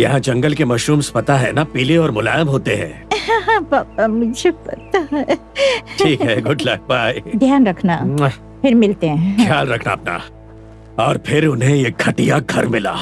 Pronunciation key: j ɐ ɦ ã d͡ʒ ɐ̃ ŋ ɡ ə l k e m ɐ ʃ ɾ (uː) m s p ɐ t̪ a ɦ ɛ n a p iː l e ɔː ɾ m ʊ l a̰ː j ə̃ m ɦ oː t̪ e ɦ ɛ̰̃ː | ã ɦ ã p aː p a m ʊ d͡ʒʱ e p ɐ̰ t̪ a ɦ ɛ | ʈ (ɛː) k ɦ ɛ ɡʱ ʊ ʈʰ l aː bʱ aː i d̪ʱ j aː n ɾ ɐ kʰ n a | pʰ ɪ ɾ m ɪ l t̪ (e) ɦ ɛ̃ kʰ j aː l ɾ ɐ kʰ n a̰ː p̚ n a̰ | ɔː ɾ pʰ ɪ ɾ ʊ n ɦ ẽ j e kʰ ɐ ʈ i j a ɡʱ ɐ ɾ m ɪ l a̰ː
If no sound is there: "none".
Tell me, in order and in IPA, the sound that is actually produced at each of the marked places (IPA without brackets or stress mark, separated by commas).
uː, iː, e